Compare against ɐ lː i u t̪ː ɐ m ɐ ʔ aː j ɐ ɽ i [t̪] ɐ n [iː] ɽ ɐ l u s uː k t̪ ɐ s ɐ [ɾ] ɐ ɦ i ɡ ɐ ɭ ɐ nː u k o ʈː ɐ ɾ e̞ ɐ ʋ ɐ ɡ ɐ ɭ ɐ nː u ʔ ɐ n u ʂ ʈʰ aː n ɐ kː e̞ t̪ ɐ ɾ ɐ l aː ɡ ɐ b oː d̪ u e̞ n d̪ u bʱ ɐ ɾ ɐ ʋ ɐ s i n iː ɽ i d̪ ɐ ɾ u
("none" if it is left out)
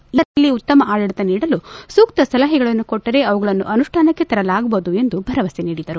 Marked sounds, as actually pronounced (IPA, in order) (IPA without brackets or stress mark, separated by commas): t̪, iː, l